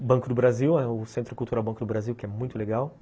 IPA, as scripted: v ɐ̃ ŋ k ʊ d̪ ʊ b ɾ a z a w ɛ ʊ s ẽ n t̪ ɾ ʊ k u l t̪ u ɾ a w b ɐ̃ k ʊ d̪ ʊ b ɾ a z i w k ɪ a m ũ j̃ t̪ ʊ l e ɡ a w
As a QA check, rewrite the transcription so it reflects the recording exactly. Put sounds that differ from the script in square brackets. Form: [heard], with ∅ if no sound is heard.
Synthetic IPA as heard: [b] ɐ̃ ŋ k ʊ d̪ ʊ b ɾ a z [i] w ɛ ʊ s ẽ n t̪ ɾ ʊ k u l t̪ u ɾ a w b ɐ̃ k ʊ d̪ ʊ b ɾ a z i w k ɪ [ɛ] m ũ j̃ t̪ ʊ l e ɡ a w